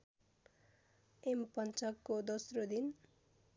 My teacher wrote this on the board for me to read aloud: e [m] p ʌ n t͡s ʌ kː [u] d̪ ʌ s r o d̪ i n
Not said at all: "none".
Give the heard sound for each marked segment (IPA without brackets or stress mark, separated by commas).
m, o